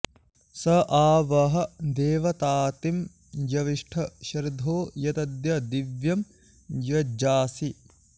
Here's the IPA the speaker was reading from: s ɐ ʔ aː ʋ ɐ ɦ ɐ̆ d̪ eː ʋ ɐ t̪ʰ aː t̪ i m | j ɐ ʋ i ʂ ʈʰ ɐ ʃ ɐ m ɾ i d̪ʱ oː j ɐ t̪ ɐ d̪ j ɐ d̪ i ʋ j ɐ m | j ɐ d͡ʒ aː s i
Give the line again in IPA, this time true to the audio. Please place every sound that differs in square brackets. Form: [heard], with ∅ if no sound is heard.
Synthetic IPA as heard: s ɐ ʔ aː ʋ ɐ ɦ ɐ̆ d̪ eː ʋ ɐ [t̪] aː t̪ i m | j ɐ ʋ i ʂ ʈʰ ɐ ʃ ɐ [∅] ɾ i d̪ʱ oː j ɐ t̪ ɐ d̪ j ɐ d̪ i ʋ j ɐ m | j ɐ d͡ʒ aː s i

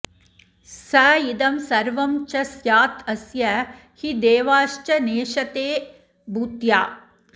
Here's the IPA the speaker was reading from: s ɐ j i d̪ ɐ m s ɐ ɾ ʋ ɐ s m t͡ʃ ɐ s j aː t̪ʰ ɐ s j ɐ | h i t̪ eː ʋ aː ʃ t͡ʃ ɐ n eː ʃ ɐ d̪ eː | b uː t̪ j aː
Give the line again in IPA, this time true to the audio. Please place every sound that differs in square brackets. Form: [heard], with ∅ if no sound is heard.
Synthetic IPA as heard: s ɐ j i d̪ ɐ m s ɐ ɾ ʋ ɐ [∅] m t͡ʃ ɐ s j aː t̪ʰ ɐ s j ɐ | h i [d̪] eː ʋ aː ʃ t͡ʃ ɐ n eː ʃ ɐ [t̪] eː | b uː t̪ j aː

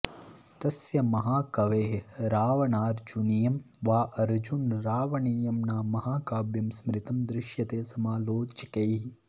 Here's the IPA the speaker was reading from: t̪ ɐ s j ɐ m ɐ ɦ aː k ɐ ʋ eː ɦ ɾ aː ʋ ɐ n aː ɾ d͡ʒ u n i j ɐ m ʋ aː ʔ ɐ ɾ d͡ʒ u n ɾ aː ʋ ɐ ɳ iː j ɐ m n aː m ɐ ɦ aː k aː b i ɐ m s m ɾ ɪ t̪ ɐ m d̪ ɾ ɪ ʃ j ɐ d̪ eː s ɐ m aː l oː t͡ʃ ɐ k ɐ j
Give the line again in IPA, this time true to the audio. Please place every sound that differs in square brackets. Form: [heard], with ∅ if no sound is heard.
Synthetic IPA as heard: t̪ ɐ s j ɐ m ɐ ɦ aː k ɐ ʋ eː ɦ ɾ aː ʋ ɐ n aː ɾ d͡ʒ u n i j ɐ m ʋ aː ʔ ɐ ɾ d͡ʒ u n ɾ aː ʋ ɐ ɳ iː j ɐ m n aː m ɐ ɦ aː k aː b [j] ɐ m s m ɾ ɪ t̪ ɐ m d̪ ɾ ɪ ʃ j ɐ [t̪] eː s ɐ m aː l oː t͡ʃ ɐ k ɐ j

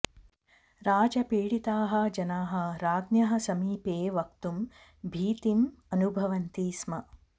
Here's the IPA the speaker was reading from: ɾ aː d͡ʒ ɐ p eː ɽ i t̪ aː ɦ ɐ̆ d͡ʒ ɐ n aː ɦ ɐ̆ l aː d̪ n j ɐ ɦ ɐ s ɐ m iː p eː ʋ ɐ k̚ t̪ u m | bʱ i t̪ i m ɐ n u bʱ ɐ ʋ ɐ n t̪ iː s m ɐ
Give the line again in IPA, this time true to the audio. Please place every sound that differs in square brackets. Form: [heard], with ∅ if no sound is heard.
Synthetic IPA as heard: ɾ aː d͡ʒ ɐ p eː ɽ i t̪ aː ɦ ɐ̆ d͡ʒ ɐ n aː ɦ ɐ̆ [ɾ] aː d̪ n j ɐ ɦ ɐ s ɐ m iː p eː ʋ ɐ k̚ t̪ u m | bʱ [iː] t̪ i m ɐ n u bʱ ɐ ʋ ɐ n t̪ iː s m ɐ

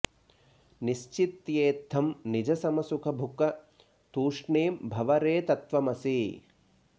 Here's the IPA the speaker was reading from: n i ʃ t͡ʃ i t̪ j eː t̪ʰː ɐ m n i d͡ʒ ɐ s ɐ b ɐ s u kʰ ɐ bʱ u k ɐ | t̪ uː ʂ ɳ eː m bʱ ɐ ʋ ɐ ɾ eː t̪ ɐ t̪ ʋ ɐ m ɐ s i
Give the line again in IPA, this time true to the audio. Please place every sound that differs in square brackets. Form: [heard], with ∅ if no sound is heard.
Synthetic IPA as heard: n i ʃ t͡ʃ i t̪ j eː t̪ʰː ɐ m n i d͡ʒ ɐ s ɐ [m] ɐ s u kʰ ɐ bʱ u k ɐ | t̪ uː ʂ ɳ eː m bʱ ɐ ʋ ɐ ɾ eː t̪ ɐ t̪ ʋ ɐ m ɐ s i

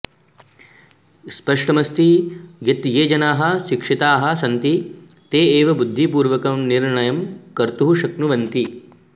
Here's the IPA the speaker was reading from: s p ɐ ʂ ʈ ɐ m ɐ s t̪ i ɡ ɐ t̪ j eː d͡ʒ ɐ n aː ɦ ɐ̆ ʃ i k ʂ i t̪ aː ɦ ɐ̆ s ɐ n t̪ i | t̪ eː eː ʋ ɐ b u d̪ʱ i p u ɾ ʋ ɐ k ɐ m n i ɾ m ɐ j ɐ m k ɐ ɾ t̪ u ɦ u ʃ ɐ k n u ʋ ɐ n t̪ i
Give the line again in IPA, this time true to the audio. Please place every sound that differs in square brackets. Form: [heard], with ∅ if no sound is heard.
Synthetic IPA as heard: s p ɐ ʂ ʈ ɐ m ɐ s t̪ i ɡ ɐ t̪ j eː d͡ʒ ɐ n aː ɦ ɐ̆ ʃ i k ʂ i t̪ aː ɦ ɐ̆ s ɐ n t̪ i | t̪ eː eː ʋ ɐ b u [d̪ʱː] i p [uː] ɾ ʋ ɐ k ɐ m n i ɾ [ɳ] ɐ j ɐ m k ɐ ɾ t̪ u ɦ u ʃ ɐ k n u ʋ ɐ n t̪ i

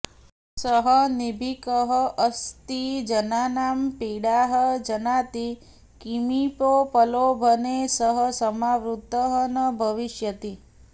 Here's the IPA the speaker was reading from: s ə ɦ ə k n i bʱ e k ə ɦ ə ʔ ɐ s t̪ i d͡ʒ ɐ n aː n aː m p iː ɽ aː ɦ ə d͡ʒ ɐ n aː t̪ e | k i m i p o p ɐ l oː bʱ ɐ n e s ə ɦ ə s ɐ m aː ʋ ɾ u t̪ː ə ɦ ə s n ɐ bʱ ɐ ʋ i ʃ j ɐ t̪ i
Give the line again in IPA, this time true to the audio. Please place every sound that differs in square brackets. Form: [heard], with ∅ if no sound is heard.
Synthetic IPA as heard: s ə ɦ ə [∅] n i bʱ [i] k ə ɦ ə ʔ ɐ s t̪ i d͡ʒ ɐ n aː n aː m p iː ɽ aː ɦ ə d͡ʒ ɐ n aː t̪ [i] | k i m i p o p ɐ l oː bʱ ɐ n e s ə ɦ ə s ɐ m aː ʋ ɾ u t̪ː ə ɦ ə [∅] n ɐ bʱ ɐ ʋ i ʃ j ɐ t̪ i

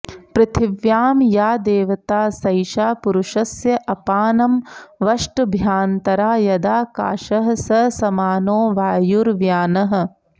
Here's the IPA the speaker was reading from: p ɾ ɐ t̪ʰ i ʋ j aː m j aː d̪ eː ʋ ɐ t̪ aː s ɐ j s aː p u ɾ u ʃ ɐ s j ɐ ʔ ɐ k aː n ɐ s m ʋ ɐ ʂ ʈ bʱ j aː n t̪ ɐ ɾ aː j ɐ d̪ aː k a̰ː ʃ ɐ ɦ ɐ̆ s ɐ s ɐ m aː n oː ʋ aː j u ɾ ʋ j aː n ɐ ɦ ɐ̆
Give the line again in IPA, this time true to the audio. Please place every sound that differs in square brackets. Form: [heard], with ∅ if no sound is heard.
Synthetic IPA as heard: p ɾ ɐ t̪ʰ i ʋ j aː m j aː d̪ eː ʋ ɐ t̪ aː s ɐ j [ʃ] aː p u ɾ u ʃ ɐ s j ɐ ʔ ɐ [p] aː n ɐ [∅] m ʋ ɐ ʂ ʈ bʱ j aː n t̪ ɐ ɾ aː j ɐ d̪ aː k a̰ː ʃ ɐ ɦ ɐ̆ s ɐ s ɐ m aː n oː ʋ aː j u ɾ ʋ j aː n ɐ ɦ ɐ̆

